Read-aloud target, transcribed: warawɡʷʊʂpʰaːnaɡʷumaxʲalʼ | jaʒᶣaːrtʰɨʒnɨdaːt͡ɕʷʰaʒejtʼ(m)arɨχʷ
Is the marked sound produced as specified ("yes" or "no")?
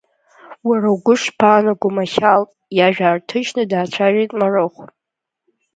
yes